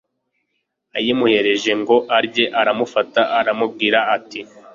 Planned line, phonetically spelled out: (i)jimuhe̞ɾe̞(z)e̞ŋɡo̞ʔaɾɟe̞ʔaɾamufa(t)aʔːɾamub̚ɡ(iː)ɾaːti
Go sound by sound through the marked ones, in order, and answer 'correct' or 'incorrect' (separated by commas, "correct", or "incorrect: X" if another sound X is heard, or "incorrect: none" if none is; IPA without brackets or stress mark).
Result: incorrect: a, incorrect: ʒ, correct, correct